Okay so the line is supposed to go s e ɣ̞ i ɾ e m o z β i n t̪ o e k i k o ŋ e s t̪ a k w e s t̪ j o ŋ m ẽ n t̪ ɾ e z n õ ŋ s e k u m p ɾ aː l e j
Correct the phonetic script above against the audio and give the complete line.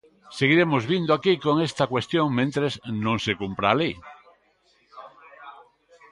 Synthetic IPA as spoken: s e ɣ̞ i ɾ e m o z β i n d̪ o a k i k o ŋ e s t̪ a k w e s t̪ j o ŋ m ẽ n t̪ ɾ e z n õ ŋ s e k u m p ɾ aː l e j